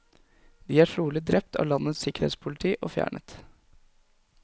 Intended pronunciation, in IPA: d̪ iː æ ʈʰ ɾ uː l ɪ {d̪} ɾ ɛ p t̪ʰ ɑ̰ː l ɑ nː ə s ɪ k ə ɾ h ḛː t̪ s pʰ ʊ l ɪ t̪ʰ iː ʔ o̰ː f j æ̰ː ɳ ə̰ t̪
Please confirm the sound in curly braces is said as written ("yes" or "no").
yes